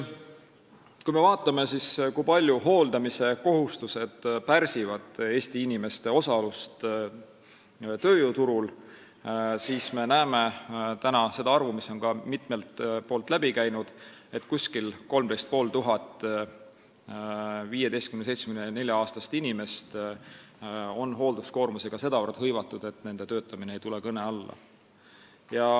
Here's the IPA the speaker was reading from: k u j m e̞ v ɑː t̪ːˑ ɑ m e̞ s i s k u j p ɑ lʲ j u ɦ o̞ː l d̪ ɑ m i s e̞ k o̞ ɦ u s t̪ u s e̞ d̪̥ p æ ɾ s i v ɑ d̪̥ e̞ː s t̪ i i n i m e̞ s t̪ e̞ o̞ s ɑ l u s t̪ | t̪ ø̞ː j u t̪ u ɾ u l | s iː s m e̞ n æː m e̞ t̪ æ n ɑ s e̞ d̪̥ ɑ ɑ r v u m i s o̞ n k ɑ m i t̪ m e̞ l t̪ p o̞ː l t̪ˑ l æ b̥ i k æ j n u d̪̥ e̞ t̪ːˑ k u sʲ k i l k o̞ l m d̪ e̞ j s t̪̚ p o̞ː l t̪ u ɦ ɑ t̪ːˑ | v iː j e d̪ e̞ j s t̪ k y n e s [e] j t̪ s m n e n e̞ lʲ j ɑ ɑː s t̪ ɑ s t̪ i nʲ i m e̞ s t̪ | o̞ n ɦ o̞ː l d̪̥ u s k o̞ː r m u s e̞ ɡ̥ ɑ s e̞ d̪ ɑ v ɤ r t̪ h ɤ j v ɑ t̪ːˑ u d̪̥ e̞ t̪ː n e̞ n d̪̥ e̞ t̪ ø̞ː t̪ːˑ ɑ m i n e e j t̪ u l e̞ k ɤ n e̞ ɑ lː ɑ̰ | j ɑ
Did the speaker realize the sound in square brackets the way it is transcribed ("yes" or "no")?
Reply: yes